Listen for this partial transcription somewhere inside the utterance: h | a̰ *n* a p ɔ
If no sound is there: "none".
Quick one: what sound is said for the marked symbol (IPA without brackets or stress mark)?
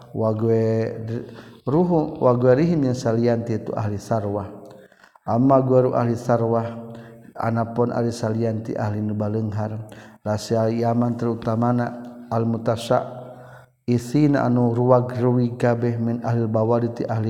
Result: n